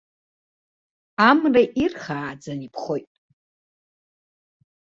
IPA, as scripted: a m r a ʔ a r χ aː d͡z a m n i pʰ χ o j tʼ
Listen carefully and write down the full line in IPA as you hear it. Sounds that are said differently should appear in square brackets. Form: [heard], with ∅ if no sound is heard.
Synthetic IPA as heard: a m r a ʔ [i] r χ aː d͡z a [∅] n i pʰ χ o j tʼ